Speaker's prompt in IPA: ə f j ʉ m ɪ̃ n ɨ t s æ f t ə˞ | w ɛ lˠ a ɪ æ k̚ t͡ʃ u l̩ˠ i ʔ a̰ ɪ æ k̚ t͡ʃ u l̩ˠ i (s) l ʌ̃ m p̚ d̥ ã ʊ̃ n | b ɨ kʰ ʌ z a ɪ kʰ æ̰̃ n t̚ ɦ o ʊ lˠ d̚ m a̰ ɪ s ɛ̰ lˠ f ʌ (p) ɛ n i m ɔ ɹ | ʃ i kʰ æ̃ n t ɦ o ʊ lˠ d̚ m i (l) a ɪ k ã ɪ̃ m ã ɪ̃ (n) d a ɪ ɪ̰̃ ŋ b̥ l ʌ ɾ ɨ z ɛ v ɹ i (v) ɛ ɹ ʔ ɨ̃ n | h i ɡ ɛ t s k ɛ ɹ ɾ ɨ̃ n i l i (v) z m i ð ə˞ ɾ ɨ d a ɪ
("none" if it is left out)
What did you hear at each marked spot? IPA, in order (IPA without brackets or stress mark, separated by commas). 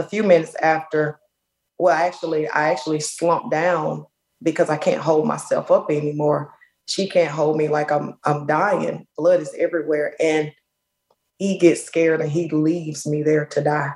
s, p, l, m, w, v